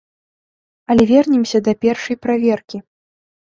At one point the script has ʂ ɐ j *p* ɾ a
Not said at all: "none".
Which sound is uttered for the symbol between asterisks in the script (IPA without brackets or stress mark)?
p